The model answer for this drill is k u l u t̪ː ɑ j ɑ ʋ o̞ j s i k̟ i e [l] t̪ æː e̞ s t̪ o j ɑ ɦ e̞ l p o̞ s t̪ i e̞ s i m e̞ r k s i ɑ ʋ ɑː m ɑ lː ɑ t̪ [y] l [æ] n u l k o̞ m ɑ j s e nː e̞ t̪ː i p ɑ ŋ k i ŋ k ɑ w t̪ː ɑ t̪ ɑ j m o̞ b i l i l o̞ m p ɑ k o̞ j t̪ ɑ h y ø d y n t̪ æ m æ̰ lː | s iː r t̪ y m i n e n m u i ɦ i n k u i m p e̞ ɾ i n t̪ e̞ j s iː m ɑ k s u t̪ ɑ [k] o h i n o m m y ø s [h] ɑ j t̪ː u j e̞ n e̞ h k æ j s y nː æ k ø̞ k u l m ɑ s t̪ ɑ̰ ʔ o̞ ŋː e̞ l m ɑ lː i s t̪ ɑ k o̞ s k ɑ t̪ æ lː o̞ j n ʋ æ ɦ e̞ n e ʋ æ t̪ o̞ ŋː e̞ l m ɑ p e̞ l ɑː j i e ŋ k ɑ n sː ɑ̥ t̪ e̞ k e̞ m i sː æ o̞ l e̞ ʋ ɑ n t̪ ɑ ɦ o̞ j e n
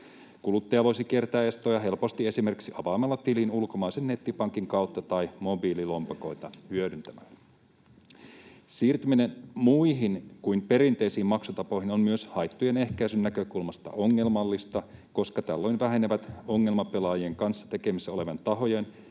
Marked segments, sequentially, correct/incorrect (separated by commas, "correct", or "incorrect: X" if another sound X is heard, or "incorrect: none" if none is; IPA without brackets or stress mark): incorrect: r, incorrect: i, incorrect: i, incorrect: p, correct